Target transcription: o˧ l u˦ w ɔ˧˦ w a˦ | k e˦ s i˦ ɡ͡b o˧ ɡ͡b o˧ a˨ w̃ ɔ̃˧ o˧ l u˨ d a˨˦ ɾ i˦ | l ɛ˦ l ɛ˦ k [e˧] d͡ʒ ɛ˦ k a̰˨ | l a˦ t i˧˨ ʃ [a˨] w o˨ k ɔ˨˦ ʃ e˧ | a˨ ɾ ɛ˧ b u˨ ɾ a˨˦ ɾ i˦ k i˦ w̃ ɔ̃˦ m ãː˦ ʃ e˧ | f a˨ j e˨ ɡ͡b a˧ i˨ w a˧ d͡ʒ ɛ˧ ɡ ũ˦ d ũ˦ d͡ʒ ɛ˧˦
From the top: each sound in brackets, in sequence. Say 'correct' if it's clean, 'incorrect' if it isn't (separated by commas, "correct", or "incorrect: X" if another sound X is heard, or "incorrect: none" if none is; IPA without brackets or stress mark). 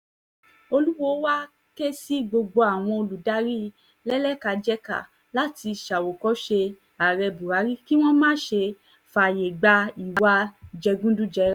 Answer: incorrect: a˧, correct